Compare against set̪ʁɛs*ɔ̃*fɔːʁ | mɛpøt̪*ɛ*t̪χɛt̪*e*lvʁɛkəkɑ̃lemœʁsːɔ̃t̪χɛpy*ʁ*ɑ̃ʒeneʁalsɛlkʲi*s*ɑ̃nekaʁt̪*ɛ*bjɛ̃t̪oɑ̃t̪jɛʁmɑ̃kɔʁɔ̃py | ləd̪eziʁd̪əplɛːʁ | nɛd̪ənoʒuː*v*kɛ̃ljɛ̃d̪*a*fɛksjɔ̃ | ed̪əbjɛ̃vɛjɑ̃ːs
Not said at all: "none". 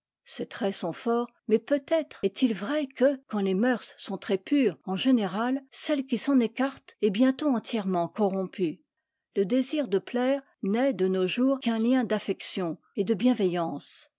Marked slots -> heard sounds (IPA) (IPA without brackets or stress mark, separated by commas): ɔ̃, ɛ, i, ʁ, s, ɛ, ʁ, a